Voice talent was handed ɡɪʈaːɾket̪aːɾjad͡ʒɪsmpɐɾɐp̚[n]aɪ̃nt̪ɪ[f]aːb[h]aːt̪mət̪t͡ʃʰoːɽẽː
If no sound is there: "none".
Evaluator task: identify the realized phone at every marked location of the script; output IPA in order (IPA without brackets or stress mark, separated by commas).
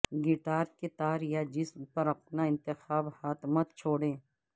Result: n, x, h